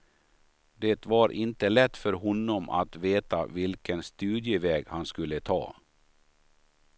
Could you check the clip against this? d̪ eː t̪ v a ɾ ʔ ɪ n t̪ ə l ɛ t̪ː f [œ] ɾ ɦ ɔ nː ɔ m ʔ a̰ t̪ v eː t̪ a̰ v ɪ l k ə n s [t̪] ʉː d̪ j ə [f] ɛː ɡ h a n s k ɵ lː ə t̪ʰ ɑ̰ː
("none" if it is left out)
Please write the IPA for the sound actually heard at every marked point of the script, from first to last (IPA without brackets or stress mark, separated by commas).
œ, t̪, v